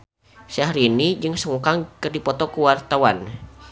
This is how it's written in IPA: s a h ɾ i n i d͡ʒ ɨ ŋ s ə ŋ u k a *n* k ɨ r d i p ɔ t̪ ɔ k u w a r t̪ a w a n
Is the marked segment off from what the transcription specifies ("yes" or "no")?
yes